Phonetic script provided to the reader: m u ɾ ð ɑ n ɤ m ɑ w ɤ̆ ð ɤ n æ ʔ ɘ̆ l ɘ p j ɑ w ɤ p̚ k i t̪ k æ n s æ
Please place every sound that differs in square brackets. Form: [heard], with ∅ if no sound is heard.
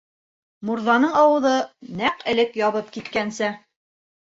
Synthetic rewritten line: m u ɾ ð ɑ n ɤ [ɴ] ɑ w ɤ̆ ð ɤ n æ [q] ɘ̆ l ɘ [k] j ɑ [β] ɤ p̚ k i t̪ k æ n s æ

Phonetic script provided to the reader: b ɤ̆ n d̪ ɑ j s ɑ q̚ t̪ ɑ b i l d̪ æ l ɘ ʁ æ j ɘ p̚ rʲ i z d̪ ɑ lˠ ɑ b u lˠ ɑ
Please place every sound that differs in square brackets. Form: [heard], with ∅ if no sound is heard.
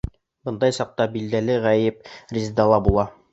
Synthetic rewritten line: b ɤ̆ n d̪ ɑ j s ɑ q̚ t̪ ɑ b i l d̪ æ l ɘ ʁ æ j ɘ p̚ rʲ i z d̪ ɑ lˠ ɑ b u lˠ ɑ

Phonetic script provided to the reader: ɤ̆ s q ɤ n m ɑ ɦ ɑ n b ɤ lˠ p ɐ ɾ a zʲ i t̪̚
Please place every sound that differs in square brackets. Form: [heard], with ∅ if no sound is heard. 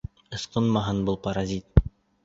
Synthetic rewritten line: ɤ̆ s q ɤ n m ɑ ɦ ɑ n b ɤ lˠ p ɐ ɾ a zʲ i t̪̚

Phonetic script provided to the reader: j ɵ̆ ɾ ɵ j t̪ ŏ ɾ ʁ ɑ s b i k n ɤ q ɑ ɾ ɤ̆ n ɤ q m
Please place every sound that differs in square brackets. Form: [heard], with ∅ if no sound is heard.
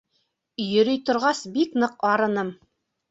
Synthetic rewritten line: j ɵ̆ ɾ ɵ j t̪ ŏ ɾ ʁ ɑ s b i k n ɤ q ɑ ɾ ɤ̆ n ɤ [∅] m

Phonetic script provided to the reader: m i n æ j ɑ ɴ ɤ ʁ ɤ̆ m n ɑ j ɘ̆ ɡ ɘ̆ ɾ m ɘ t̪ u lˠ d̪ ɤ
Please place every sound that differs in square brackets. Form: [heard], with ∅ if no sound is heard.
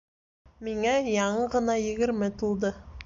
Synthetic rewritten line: m i [ŋ] æ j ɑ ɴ ɤ ʁ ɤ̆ [∅] n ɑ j ɘ̆ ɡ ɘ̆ ɾ m ɘ t̪ u lˠ d̪ ɤ

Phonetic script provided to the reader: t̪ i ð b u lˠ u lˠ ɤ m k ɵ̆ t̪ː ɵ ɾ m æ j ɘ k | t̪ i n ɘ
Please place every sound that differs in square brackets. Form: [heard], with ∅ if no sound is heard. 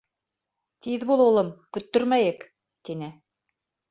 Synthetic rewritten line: t̪ i ð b u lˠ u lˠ ɤ m k ɵ̆ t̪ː ɵ ɾ m æ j ɘ k | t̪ i n ɘ

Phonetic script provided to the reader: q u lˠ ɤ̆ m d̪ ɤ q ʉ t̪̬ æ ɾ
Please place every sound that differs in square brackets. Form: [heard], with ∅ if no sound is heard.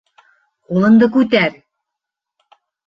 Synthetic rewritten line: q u lˠ ɤ̆ [n] d̪ ɤ [k] ʉ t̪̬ æ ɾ

